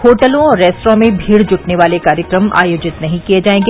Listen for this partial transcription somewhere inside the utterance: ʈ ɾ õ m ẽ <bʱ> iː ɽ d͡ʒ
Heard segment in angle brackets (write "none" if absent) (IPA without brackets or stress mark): bʱ